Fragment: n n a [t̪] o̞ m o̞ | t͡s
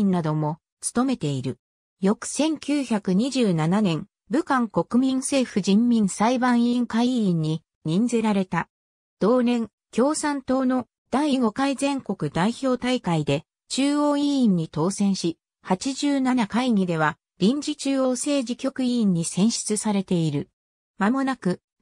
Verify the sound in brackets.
incorrect: d̪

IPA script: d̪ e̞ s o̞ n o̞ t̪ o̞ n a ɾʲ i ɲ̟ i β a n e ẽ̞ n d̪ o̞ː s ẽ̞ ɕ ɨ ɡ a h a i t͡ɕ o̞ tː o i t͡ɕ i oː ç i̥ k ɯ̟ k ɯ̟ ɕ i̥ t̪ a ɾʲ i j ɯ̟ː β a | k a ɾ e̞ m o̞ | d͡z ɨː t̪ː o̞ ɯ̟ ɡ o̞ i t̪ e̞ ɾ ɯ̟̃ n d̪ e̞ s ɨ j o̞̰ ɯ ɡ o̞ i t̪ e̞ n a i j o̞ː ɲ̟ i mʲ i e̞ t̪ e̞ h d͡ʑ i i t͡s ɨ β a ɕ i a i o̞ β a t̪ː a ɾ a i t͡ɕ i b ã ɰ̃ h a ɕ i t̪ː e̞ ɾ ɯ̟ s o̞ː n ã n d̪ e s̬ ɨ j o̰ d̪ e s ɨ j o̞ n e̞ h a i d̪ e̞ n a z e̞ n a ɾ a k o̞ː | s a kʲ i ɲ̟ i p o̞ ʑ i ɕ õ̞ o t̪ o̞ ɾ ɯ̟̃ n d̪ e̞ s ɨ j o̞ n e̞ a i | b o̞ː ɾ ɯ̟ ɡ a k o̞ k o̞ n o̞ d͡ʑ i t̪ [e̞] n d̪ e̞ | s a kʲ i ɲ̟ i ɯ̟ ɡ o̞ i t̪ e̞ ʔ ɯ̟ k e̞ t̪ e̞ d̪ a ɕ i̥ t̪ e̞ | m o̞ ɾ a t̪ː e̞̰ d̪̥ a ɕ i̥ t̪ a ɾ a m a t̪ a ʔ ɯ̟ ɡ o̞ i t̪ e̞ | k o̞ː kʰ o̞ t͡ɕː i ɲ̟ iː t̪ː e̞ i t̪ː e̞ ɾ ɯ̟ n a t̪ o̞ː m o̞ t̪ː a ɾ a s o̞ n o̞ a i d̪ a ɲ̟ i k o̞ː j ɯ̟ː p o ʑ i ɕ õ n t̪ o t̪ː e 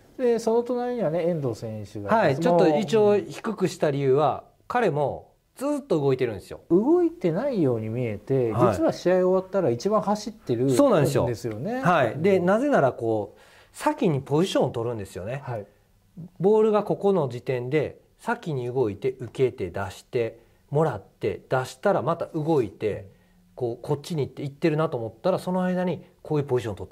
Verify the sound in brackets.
incorrect: ẽ̞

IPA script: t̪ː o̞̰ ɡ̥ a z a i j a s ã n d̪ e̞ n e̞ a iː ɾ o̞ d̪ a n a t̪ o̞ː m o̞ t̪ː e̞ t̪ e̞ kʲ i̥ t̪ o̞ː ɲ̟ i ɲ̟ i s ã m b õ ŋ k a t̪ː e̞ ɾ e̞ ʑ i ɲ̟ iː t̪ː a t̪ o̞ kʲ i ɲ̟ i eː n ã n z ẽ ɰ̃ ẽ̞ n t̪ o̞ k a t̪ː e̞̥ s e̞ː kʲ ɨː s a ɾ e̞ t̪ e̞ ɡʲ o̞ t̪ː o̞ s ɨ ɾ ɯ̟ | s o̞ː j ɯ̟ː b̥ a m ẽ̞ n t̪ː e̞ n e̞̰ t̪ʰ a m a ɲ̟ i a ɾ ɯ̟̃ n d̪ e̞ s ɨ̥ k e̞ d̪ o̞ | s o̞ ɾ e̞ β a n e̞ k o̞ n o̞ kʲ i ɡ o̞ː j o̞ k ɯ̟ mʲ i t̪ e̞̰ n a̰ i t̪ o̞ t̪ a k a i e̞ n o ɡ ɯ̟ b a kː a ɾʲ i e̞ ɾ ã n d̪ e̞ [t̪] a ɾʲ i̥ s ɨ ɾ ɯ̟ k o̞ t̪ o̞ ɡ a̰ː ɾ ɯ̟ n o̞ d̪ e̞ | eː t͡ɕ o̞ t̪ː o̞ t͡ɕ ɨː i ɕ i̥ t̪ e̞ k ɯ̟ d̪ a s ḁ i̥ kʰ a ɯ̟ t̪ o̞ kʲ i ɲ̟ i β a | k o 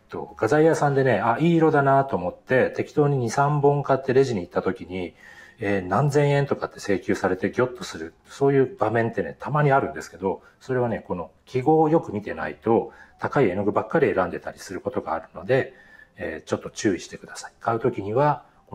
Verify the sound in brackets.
correct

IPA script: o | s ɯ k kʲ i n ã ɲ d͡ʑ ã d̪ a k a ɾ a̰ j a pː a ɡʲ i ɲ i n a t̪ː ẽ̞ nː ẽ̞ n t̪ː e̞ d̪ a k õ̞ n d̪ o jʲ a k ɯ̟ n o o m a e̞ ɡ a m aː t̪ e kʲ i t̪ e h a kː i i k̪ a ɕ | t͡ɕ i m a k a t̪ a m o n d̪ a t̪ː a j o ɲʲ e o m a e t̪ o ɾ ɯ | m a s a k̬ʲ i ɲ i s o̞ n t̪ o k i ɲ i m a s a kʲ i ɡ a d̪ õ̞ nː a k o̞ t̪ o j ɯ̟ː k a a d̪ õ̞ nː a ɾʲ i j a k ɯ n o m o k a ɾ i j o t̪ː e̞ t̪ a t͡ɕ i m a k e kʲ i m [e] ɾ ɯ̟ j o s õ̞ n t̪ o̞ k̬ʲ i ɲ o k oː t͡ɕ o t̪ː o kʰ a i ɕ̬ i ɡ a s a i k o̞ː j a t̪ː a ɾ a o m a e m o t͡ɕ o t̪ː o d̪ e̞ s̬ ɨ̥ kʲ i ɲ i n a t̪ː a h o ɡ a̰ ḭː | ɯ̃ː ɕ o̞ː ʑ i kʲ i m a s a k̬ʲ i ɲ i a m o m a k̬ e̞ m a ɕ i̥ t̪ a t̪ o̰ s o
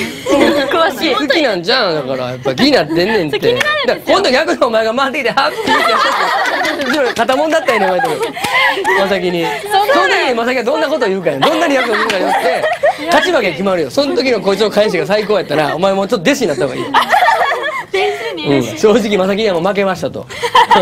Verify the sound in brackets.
incorrect: a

